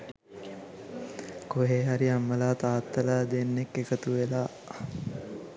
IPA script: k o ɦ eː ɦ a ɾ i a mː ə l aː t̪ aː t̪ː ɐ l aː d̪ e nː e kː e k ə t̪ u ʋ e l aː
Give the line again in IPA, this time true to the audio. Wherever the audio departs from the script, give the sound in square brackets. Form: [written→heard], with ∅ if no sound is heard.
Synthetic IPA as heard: k o ɦ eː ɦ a ɾ i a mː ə l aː t̪ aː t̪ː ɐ l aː d̪ e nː e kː e k ə t̪ u ʋ e l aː